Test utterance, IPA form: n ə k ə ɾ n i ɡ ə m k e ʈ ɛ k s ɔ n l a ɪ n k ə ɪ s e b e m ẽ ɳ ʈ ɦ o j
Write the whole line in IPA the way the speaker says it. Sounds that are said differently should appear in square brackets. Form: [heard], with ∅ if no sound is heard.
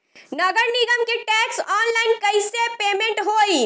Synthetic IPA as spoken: n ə [ɡ] ə ɾ n i ɡ ə m k e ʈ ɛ k s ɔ n l a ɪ n k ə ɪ s e [p] e m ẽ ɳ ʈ ɦ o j